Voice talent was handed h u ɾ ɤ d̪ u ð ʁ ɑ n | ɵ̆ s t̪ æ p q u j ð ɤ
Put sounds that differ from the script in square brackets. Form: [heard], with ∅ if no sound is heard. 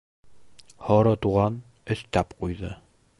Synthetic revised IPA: h [ɒ] ɾ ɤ [t̪] u [∅] ʁ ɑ n | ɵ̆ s t̪ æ p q u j ð ɤ

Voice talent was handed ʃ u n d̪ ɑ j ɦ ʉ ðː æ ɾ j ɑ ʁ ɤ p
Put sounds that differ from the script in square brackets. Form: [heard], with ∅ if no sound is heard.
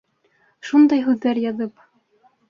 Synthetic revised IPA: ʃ u n d̪ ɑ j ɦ ʉ ðː æ ɾ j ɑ [ð] ɤ p

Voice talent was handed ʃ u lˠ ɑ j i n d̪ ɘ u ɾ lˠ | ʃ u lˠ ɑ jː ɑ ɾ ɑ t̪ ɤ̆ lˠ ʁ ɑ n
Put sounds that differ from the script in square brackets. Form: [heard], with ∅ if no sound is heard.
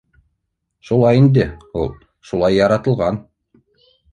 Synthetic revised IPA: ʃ u lˠ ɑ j i n d̪ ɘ u [∅] lˠ | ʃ u lˠ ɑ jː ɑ ɾ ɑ t̪ ɤ̆ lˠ ʁ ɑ n

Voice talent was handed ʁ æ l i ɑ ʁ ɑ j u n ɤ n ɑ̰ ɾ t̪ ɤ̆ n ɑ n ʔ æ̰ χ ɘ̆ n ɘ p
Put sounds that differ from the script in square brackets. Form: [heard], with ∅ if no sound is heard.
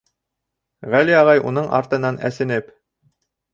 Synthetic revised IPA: ʁ æ l i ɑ ʁ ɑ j u n ɤ [ɴ] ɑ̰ ɾ t̪ ɤ̆ n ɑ n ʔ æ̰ [s] ɘ̆ n ɘ p

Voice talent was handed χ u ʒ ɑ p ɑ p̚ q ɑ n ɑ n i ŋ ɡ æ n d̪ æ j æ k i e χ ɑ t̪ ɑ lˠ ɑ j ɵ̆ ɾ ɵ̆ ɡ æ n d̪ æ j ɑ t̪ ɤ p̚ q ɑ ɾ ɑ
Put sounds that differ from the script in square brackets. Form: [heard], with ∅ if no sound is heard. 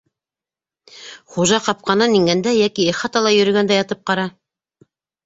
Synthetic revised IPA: χ u ʒ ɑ [q] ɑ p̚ q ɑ n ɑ n i ŋ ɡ æ n d̪ æ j æ k i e χ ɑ t̪ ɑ lˠ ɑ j ɵ̆ ɾ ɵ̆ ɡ æ n d̪ æ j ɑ t̪ ɤ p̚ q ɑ ɾ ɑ

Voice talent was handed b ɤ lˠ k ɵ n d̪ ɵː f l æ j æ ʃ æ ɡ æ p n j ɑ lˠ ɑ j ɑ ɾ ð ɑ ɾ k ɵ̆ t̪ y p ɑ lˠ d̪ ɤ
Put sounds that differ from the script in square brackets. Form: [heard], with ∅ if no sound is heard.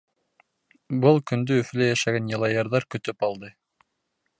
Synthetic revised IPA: b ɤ lˠ k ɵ n d̪ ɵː f l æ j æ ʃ æ ɡ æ [∅] n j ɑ lˠ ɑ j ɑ ɾ ð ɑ ɾ k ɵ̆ t̪ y p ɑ lˠ d̪ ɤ

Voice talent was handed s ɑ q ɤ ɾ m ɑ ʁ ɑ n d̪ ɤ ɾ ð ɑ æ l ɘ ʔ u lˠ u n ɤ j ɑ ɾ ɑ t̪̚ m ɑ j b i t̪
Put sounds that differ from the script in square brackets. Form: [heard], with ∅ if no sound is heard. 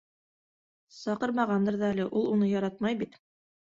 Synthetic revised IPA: s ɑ q ɤ ɾ m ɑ ʁ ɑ n d̪ ɤ ɾ ð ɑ æ l ɘ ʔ u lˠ u n ɤ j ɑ ɾ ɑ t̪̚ m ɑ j b i t̪

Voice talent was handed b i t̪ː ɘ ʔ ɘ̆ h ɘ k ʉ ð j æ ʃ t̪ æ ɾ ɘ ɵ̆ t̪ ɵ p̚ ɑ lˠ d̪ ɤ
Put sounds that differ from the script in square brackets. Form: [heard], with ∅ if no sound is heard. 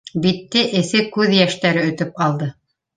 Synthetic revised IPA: b i t̪ː ɘ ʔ ɘ̆ [θ] ɘ k ʉ ð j æ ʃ t̪ æ ɾ ɘ ɵ̆ t̪ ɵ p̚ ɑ lˠ d̪ ɤ

